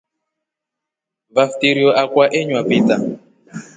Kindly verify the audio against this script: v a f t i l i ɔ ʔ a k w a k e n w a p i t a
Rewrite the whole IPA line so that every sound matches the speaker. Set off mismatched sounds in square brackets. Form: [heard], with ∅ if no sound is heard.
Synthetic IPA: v a f t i [ɾ] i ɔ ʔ a k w a [ʔ] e [ɲ] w a p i t a